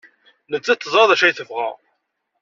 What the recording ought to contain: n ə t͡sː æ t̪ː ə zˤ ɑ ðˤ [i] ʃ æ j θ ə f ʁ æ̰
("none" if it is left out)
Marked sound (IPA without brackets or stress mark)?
æ